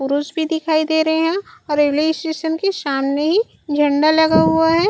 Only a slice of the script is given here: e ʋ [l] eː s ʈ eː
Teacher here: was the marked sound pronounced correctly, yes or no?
yes